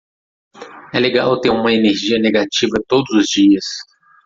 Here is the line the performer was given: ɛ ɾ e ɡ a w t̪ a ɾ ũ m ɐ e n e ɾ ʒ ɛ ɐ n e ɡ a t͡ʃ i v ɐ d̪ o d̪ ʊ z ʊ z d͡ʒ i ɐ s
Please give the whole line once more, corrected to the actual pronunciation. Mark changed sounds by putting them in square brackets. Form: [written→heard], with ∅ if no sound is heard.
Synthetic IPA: ɛ [ɾ→l] e ɡ a w t̪ [a→e] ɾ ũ m ɐ e n e ɾ ʒ [ɛ→i] ɐ n e ɡ a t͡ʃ i v ɐ [d̪→t̪] o d̪ ʊ z ʊ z d͡ʒ i ɐ s